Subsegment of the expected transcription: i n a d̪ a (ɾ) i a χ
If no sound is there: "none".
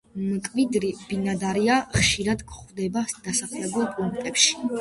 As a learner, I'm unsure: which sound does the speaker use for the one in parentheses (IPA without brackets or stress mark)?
ɾ